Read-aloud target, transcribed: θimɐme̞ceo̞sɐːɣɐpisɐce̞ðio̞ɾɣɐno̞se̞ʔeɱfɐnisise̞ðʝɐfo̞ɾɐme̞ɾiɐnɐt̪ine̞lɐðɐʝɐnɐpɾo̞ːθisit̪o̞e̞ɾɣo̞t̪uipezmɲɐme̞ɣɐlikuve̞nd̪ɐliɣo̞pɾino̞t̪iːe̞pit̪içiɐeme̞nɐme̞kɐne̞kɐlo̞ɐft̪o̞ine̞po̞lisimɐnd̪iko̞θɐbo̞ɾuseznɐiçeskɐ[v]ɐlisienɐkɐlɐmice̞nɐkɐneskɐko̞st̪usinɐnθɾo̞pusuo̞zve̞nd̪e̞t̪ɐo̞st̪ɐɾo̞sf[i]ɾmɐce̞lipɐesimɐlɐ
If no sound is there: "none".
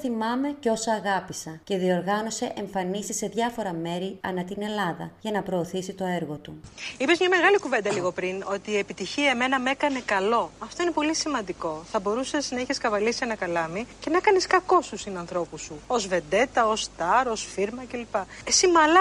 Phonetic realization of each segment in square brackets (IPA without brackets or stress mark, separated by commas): v, i